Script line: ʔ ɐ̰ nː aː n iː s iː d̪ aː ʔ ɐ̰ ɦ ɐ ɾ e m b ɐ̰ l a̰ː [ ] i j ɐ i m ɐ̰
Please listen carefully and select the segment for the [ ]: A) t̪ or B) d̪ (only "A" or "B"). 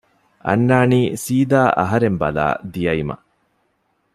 B